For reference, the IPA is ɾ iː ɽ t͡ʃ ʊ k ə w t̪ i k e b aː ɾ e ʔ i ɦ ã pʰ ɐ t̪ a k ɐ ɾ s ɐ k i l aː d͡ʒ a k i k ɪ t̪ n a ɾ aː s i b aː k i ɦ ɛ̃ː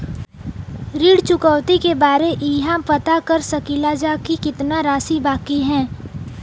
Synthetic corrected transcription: ɾ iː ɽ t͡ʃ ʊ k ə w t̪ i k e b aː ɾ e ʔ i ɦ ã p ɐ t̪ a k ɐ ɾ s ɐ k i l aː d͡ʒ a k i k ɪ t̪ n a ɾ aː s i b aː k i ɦ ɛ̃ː